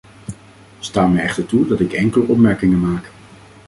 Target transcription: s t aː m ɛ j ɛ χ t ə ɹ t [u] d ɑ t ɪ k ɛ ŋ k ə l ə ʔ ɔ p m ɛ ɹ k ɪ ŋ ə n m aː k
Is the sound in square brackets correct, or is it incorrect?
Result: correct